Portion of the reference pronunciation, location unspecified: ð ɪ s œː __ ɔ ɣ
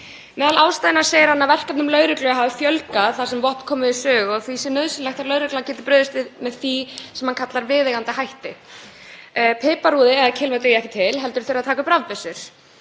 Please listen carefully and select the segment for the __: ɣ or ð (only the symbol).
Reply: ɣ